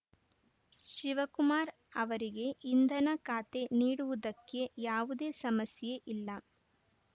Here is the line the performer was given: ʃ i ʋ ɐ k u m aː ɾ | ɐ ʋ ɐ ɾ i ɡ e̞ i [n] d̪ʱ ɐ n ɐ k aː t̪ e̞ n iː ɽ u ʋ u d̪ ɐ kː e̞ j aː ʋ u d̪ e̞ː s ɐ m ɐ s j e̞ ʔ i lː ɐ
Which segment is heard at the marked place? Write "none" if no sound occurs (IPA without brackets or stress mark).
n